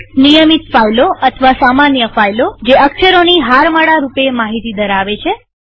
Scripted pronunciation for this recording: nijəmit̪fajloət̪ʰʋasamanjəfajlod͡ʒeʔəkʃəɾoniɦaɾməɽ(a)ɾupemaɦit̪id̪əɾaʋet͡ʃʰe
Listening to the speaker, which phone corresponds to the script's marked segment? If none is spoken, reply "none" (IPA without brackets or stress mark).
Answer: a